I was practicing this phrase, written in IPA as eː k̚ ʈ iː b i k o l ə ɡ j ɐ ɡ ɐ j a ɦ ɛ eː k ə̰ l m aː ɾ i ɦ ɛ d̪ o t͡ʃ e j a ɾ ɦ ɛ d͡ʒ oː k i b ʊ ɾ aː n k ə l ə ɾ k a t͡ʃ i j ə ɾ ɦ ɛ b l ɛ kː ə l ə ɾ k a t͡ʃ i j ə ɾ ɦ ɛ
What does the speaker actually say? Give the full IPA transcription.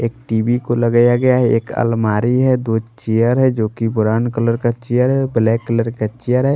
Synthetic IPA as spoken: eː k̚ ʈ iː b i k o l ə ɡ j a ɡ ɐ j a ɦ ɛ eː k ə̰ l m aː ɾ i ɦ ɛ d̪ o t͡ʃ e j ə ɾ ɦ ɛ d͡ʒ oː k i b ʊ ɾ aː n k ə l ə ɾ k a t͡ʃ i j ə ɾ ɦ ɛ b l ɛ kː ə l ə ɾ k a t͡ʃ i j ə ɾ ɦ ɛ